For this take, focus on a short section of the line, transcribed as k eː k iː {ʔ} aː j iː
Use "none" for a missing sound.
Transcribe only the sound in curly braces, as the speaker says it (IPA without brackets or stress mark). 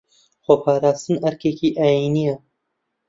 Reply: ʔ